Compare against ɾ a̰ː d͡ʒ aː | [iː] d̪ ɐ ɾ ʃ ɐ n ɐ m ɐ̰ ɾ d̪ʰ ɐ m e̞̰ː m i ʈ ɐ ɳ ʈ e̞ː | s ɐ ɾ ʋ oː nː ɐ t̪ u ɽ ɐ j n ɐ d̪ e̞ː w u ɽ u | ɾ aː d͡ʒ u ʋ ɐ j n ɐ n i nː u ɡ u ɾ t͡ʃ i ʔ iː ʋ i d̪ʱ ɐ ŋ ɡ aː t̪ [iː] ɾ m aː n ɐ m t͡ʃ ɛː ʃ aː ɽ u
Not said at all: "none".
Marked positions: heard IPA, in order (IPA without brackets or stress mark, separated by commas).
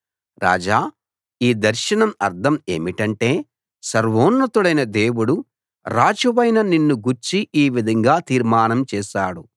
iː, iː